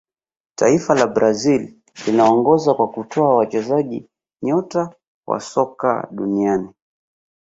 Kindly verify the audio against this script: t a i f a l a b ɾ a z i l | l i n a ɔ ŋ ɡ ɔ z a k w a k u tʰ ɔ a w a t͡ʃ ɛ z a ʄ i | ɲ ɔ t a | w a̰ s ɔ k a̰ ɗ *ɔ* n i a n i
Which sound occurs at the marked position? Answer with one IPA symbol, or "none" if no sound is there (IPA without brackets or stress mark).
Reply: u